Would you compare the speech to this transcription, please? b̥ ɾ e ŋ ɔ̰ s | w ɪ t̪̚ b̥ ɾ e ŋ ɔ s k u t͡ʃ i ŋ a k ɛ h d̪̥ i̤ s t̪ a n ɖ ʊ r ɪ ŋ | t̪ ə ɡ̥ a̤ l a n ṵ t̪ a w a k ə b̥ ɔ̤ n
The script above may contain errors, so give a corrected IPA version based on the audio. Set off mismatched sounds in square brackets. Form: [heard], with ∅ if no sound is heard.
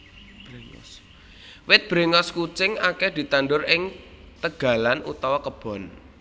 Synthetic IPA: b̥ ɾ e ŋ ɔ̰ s | w ɪ t̪̚ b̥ ɾ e ŋ ɔ s k u t͡ʃ [ɪ] ŋ a k ɛ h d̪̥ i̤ [∅] t̪ a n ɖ ʊ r ɪ ŋ | t̪ ə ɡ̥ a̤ l a n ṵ t̪ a w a k ə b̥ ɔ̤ n